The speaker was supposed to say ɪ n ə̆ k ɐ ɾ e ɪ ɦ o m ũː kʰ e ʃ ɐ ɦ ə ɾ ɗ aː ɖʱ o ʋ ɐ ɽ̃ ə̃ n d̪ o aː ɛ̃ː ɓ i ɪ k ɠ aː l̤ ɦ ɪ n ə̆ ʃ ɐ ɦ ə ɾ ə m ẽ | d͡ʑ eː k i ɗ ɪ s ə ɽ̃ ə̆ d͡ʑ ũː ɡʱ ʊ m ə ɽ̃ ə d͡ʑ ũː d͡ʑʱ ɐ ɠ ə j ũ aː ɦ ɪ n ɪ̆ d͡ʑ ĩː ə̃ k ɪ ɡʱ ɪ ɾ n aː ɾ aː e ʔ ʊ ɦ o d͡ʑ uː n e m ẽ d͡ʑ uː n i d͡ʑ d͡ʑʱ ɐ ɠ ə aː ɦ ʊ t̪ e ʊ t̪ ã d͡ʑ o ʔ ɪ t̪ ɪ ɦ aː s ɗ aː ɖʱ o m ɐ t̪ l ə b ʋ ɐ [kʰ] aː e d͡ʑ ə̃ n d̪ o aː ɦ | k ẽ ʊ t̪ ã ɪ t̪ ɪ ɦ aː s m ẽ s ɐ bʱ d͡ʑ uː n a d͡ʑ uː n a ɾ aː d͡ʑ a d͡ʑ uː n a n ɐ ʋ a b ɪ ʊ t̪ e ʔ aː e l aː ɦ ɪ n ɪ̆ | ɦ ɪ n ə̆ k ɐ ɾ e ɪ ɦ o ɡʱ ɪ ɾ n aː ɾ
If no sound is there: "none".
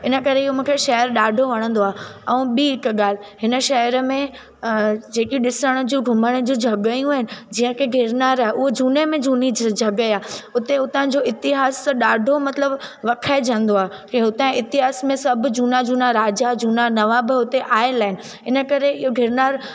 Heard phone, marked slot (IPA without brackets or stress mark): kʰ